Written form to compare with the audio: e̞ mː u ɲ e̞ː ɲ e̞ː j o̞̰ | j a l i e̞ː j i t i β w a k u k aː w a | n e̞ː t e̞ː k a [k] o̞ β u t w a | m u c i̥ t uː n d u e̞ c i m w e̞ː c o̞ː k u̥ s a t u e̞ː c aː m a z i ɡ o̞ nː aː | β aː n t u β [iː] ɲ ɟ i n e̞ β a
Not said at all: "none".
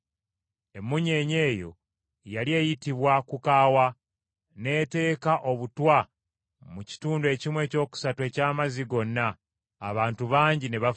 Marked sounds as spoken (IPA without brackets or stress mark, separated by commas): ʔ, aː